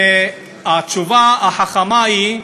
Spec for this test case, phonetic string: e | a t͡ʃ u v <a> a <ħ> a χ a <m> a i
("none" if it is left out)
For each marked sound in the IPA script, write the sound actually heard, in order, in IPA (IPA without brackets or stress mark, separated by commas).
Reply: a, ħ, m